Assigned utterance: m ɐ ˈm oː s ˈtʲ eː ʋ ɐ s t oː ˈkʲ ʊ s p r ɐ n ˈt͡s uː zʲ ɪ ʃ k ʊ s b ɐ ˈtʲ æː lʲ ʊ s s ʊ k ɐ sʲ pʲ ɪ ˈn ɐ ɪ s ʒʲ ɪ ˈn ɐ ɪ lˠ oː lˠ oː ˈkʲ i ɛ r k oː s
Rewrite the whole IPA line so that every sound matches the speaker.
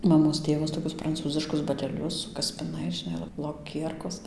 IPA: m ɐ ˈm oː s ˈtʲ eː ʋ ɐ s t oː ˈkʲ ʊ s p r ɐ n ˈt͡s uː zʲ ɪ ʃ k ʊ s b ɐ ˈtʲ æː lʲ ʊ s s ʊ k ɐ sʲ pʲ ɪ ˈn ɐ ɪ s ʒʲ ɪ ˈn ɐ ɪ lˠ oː lˠ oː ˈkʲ i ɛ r k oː s